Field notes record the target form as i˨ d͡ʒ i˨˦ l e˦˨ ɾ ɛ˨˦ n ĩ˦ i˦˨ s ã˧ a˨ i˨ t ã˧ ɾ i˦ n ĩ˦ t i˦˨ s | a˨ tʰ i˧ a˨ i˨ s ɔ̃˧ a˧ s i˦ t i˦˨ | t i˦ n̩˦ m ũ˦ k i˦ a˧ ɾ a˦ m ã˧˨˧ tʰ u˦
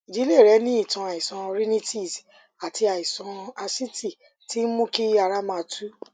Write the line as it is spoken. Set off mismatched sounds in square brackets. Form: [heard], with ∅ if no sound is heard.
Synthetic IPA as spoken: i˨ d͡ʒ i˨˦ l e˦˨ ɾ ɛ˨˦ n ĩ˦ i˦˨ [t] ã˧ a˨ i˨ [s] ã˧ ɾ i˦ n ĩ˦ t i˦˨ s | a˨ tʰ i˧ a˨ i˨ s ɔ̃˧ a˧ s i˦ t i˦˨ | t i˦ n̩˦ m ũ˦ k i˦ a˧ ɾ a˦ m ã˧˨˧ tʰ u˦

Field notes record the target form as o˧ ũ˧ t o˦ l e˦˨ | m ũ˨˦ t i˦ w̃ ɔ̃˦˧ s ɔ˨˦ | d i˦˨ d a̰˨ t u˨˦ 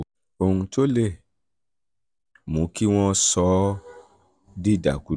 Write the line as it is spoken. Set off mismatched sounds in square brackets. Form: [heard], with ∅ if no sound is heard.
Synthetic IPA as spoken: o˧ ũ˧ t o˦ l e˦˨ | m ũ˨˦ [k] i˦ w̃ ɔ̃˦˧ s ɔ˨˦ | d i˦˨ d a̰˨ [k] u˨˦

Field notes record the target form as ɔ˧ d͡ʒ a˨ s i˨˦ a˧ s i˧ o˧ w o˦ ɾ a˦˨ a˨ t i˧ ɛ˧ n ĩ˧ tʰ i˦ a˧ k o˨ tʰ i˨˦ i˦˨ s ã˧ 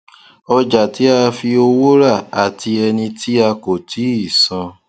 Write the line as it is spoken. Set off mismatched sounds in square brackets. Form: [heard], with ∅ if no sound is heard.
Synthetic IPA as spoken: ɔ˧ d͡ʒ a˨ [t] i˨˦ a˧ [f] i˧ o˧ w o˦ ɾ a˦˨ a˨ t i˧ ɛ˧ n ĩ˧ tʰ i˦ a˧ k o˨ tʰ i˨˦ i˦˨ s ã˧

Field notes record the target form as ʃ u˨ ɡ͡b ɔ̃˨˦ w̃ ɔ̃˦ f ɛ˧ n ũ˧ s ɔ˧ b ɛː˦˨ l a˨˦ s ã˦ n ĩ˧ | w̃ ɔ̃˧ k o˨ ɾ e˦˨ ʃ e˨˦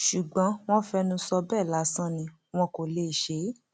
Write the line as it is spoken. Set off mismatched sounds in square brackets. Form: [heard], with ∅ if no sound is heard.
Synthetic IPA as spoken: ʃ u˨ ɡ͡b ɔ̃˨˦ w̃ ɔ̃˦ f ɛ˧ n ũ˧ s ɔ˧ b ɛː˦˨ l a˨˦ s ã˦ n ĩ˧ | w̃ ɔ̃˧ k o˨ [l] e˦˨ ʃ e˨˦

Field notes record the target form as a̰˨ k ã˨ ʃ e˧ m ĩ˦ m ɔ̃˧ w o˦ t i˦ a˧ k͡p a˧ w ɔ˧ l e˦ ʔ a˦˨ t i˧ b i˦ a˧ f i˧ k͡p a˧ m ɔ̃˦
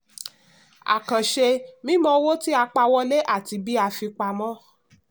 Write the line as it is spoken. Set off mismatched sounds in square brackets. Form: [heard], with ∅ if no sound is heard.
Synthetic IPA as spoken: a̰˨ k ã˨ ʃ e˧ m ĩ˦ m ɔ̃˧ w o˦ t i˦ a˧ k͡p a˧ w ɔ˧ l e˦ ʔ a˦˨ t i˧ b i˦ a˧ f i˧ k͡p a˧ m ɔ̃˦

